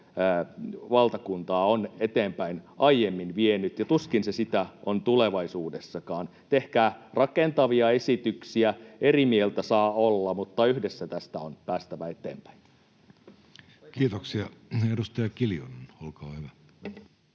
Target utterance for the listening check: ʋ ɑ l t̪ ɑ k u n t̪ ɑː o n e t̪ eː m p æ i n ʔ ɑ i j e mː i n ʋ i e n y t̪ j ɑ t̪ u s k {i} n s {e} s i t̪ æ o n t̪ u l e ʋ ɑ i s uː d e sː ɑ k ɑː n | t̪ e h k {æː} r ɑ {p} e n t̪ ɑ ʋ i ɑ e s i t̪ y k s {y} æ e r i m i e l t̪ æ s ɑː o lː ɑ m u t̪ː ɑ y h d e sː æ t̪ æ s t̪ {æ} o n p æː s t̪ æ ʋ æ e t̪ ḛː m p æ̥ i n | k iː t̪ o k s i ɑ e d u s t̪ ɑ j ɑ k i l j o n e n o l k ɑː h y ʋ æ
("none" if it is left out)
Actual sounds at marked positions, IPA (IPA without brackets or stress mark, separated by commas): i, e, æː, k, i, æ